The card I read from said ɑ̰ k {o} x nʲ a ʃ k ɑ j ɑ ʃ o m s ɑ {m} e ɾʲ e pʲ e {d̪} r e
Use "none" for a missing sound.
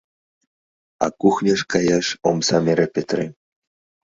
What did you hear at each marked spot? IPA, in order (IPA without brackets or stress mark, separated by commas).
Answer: u, m, t̪